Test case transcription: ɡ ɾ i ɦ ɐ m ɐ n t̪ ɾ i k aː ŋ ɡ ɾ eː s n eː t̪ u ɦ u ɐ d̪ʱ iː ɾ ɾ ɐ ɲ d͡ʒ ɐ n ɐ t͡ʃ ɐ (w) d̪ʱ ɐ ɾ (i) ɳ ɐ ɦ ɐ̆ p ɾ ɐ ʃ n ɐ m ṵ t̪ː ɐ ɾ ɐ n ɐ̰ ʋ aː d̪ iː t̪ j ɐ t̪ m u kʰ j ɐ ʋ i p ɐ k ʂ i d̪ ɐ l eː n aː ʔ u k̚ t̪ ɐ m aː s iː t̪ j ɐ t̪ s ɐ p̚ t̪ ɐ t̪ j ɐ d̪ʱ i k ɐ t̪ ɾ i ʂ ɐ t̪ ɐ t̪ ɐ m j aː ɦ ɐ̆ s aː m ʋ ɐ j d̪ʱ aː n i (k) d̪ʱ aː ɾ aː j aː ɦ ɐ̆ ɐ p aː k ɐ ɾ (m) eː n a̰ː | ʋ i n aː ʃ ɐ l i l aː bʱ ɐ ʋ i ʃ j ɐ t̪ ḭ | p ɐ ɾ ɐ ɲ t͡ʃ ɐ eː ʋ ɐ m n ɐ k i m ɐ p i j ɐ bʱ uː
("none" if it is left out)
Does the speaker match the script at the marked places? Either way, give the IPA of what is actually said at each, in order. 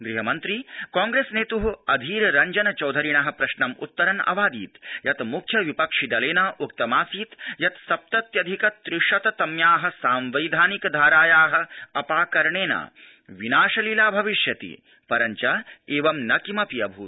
w, i, k, ɳ

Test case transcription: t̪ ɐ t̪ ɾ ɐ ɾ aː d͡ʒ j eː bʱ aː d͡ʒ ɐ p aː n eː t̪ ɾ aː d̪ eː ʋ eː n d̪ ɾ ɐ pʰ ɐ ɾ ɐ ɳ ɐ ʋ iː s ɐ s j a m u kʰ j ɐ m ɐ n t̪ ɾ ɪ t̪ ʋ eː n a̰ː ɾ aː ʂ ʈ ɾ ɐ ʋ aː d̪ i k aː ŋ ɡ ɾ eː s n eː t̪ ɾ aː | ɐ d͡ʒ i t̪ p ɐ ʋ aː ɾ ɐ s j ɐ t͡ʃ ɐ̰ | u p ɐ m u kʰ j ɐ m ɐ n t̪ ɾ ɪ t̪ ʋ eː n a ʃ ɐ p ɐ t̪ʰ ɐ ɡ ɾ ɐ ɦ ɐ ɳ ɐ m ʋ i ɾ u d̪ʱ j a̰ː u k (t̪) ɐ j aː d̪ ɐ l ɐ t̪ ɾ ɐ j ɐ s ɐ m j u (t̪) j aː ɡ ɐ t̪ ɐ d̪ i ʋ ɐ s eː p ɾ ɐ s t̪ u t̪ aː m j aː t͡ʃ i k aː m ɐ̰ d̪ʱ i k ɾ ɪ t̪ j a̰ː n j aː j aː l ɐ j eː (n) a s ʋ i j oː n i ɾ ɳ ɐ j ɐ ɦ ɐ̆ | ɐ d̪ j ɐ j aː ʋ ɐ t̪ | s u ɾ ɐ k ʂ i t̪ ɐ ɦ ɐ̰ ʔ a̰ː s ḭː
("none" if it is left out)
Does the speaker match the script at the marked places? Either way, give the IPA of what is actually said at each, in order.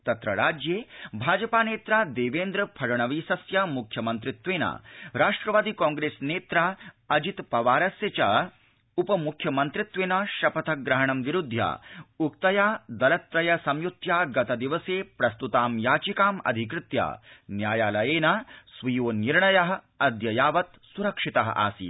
t̪, t̪, n

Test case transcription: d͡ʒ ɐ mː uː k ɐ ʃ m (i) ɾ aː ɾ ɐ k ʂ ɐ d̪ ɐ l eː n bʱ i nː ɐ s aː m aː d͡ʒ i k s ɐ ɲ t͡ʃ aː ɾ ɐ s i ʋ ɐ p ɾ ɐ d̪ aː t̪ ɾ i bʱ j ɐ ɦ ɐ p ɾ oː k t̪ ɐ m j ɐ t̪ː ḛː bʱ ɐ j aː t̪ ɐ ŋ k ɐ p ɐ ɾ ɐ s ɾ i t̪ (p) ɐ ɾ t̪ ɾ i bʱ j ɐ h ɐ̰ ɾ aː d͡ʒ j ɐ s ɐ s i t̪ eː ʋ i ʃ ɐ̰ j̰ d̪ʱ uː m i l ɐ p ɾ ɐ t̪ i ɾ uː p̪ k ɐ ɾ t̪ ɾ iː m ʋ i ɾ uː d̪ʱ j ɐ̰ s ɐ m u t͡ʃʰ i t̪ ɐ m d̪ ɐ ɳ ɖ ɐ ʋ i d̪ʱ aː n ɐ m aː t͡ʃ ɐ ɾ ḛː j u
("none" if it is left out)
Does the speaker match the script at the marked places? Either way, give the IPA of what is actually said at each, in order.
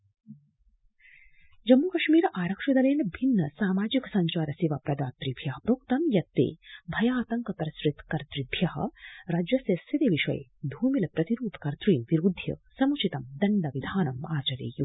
iː, k

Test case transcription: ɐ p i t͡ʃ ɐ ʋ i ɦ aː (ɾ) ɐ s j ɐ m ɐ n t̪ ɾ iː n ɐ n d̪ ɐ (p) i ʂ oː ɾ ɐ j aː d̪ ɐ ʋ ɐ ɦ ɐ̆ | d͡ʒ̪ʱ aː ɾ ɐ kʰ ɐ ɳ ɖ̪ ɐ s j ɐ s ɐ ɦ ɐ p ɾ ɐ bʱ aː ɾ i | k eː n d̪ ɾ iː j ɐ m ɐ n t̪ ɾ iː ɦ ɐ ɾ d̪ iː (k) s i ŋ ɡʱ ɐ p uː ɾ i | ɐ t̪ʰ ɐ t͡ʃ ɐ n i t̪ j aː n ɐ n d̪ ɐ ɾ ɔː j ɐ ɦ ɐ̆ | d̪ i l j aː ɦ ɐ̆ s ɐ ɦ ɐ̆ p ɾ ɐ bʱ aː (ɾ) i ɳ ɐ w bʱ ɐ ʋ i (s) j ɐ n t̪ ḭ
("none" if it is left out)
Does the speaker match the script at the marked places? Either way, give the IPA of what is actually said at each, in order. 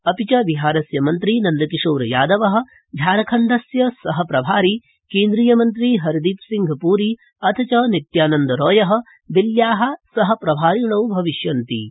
ɾ, k, p, ɾ, ʃ

